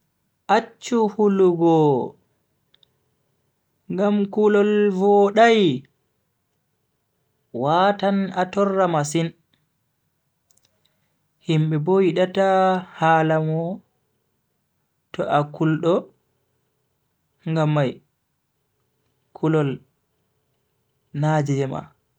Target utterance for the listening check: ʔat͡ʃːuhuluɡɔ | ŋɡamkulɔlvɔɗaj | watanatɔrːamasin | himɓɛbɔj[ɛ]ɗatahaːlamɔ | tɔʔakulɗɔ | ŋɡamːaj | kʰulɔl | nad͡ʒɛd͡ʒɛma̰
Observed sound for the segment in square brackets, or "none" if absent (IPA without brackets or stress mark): i